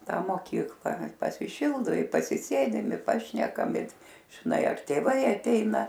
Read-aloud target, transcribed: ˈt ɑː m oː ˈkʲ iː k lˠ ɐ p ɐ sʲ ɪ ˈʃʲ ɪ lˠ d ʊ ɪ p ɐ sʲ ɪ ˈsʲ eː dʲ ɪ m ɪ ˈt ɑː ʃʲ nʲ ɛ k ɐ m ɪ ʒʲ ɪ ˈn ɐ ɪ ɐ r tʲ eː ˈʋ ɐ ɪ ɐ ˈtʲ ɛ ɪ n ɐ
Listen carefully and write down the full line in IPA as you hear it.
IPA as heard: ˈt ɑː m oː ˈkʲ iː k lˠ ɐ p ɐ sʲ ɪ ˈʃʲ ɪ lˠ d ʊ ɪ p ɐ sʲ ɪ ˈsʲ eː dʲ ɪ m ɪ ˈp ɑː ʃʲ nʲ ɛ k ɐ m ɪ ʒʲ ɪ ˈn ɐ ɪ ɐ r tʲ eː ˈʋ ɐ ɪ ɐ ˈtʲ ɛ ɪ n ɐ